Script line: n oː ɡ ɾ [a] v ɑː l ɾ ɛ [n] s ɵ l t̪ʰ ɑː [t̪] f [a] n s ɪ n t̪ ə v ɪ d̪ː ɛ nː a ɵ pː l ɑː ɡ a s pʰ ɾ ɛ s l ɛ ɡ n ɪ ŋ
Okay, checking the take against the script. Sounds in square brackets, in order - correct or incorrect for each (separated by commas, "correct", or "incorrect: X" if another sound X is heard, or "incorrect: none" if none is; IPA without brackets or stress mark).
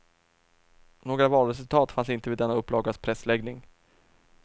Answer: correct, incorrect: none, correct, correct